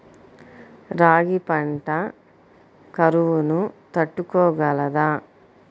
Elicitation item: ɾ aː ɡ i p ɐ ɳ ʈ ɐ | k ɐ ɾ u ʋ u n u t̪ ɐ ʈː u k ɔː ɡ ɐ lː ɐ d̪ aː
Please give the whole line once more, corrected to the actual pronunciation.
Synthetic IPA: ɾ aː ɡ i p ɐ ɳ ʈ ɐ | k ɐ ɾ u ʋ u n u t̪ ɐ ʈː u k ɔː ɡ ɐ l ɐ d̪ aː

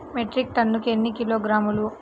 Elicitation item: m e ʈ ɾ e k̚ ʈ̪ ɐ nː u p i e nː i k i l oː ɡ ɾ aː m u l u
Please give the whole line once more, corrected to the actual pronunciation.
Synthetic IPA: m e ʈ ɾ i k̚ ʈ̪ ɐ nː u k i e nː i k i l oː ɡ ɾ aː m u l u

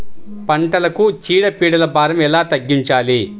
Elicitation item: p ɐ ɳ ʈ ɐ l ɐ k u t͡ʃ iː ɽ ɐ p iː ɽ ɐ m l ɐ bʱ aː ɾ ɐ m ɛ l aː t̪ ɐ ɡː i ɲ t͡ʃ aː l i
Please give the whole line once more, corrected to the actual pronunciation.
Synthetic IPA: p ɐ ɳ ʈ ɐ l ɐ k u t͡ʃ iː ɽ ɐ p iː ɽ ɐ l ɐ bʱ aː ɾ ɐ m ɛ l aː t̪ ɐ ɡː i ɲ t͡ʃ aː l i

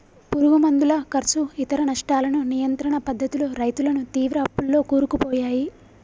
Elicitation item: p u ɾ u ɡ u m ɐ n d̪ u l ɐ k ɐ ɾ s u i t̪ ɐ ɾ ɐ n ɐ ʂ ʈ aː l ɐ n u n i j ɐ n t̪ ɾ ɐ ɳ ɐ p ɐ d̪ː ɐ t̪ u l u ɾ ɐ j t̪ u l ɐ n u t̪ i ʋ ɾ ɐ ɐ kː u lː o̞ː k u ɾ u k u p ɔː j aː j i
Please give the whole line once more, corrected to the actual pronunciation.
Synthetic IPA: p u ɾ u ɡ u m ɐ n d̪ u l ɐ k ɐ ɾ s u i t̪ ɐ ɾ ɐ n ɐ ʂ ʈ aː l ɐ n u n i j ɐ n t̪ ɾ ɐ ɳ ɐ p ɐ d̪ː ɐ t̪ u l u ɾ ɐ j t̪ u l ɐ n u t̪ iː ʋ ɾ ɐ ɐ pː u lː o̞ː k uː ɾ u k u p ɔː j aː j i

